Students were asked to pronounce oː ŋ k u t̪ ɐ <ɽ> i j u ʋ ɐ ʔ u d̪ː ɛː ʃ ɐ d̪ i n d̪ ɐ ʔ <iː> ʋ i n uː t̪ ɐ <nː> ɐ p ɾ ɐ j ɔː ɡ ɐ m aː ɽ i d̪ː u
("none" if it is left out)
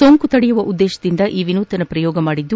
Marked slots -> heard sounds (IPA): ɽ, iː, n

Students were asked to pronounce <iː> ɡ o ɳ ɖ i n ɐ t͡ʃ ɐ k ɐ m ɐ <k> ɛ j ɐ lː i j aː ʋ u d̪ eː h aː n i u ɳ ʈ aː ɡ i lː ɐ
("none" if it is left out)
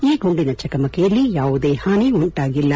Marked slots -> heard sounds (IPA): iː, k

